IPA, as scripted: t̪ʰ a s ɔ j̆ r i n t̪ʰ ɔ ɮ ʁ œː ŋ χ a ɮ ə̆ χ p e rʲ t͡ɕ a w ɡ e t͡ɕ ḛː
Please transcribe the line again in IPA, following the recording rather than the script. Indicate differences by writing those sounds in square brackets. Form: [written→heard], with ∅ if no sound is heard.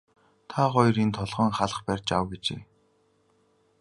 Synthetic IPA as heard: t̪ʰ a [s→χ] ɔ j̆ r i n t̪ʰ ɔ ɮ ʁ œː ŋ χ a ɮ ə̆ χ p [e→æ] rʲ t͡ɕ a w ɡ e t͡ɕ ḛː